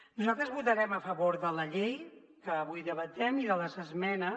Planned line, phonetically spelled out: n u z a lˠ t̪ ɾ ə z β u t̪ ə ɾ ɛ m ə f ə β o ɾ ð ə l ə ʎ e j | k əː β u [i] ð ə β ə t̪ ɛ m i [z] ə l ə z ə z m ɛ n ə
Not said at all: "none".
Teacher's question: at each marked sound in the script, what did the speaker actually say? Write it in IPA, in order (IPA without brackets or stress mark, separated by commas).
j, ð